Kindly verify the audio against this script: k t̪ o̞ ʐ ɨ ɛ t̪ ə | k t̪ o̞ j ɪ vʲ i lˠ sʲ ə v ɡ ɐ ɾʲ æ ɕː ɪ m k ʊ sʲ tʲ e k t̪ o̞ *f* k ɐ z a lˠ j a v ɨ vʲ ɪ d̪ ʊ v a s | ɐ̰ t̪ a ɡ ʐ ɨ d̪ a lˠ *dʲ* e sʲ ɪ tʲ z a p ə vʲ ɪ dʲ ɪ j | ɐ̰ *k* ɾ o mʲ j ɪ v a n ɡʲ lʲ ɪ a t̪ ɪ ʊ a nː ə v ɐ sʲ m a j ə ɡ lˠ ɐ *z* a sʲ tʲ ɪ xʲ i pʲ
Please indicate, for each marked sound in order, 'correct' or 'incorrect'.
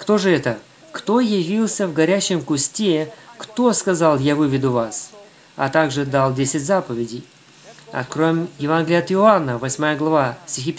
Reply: incorrect: s, correct, correct, incorrect: v

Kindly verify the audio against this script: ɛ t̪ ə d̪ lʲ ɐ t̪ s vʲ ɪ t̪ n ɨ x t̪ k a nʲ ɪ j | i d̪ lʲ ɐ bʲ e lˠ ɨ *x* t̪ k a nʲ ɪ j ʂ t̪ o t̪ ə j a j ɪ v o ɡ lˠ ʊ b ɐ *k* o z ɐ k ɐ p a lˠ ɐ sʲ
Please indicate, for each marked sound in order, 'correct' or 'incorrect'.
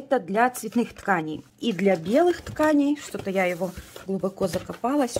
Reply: correct, correct

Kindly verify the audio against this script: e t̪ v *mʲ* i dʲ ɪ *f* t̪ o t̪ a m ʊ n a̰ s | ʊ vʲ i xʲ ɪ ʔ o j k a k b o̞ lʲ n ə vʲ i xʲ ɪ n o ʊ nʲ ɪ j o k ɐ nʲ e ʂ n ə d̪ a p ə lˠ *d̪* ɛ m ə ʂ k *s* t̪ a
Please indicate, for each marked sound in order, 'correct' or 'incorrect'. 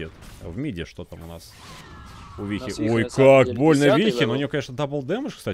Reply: correct, incorrect: ʂ, correct, correct

